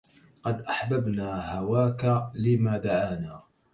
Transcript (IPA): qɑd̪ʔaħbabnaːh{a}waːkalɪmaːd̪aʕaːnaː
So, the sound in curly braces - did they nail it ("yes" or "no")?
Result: yes